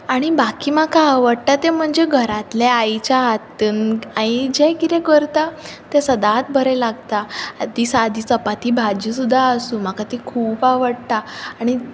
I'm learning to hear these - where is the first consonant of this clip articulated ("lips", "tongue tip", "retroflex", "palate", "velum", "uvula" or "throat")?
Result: retroflex